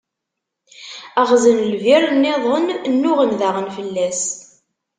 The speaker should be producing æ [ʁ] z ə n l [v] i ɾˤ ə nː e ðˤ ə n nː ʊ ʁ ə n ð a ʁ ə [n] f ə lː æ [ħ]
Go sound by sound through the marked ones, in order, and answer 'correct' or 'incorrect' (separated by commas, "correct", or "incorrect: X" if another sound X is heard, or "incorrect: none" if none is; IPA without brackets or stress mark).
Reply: correct, correct, correct, incorrect: s